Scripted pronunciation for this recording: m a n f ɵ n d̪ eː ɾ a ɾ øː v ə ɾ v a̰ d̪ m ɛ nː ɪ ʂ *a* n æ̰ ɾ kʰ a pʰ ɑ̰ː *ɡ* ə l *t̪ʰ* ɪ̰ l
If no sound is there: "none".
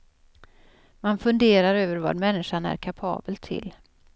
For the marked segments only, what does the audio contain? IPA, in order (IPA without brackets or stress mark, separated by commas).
a, b, t̪ʰ